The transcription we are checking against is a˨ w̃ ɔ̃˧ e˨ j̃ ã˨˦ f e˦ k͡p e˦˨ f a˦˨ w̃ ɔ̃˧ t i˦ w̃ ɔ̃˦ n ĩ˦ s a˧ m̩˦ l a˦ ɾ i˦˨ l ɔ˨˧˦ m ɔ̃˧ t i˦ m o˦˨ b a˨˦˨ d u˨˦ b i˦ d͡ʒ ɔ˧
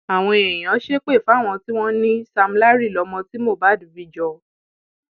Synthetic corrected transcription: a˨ w̃ ɔ̃˧ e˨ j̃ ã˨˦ ʃ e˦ k͡p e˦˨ f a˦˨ w̃ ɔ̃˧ t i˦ w̃ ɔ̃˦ n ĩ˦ s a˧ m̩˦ l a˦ ɾ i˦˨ l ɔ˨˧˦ m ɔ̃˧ t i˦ m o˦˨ b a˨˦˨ d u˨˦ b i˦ d͡ʒ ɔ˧